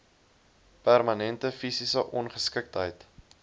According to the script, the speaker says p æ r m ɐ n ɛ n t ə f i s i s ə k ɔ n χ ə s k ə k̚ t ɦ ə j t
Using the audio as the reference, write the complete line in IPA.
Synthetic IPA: p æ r m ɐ n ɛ n t ə f i s i s ə ʔ ɔ n χ ə s k ə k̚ t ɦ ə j t